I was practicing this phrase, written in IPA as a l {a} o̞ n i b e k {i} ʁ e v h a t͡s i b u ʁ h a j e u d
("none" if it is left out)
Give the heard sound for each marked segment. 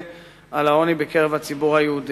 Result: a, e

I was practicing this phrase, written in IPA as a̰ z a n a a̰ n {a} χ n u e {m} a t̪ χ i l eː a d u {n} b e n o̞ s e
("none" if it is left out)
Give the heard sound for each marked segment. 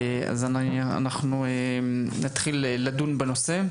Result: a, n, n

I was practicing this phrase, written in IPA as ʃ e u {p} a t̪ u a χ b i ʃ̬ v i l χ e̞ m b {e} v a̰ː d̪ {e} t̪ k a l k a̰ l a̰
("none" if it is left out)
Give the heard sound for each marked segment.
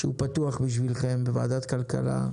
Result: p, e, a

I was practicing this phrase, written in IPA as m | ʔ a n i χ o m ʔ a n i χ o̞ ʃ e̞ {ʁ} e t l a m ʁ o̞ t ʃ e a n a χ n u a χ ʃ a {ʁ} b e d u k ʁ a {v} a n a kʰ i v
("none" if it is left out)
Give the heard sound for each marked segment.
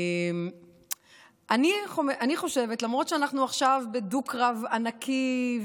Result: v, v, v

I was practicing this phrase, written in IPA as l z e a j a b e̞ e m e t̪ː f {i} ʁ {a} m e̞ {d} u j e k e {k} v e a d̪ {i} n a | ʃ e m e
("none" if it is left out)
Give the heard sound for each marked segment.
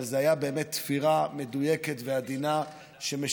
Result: i, a, d, t, i

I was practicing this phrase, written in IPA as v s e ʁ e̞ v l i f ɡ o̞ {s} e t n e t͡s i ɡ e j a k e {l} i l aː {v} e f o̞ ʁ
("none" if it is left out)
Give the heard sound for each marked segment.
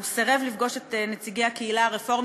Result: ʃ, none, ʁ

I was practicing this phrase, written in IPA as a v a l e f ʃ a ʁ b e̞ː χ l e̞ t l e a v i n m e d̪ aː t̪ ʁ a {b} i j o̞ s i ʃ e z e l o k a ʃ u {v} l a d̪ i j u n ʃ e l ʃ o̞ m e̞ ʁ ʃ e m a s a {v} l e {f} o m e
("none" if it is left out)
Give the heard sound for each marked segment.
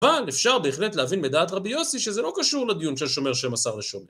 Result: b, ʁ, ʁ, ʃ

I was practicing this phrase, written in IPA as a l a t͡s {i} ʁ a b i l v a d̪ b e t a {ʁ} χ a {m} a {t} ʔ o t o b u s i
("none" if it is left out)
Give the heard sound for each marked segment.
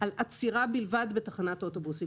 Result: i, none, n, t

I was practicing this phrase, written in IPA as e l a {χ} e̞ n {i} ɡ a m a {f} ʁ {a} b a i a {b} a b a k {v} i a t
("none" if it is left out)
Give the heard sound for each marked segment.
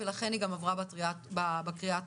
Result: χ, i, v, a, b, ʁ

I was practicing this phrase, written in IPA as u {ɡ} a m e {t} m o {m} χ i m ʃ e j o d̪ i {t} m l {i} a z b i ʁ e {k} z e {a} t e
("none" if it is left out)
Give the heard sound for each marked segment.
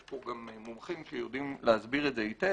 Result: ɡ, none, m, none, e, t, i

